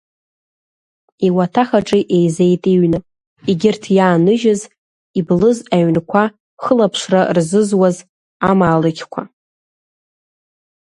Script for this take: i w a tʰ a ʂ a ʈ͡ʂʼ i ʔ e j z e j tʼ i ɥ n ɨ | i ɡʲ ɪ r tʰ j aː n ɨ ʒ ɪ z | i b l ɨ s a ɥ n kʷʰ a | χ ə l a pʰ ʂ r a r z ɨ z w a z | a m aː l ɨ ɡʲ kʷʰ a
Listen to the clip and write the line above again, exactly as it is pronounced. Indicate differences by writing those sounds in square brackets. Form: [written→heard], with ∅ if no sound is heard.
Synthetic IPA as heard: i w a tʰ a [ʂ→χ] a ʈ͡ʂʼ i ʔ e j z e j tʼ i ɥ n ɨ | i ɡʲ ɪ r tʰ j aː n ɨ ʒ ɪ z | i b l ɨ [s→z] a ɥ n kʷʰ a | χ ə l a pʰ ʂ r a r z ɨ z w a z | a m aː l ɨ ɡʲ kʷʰ a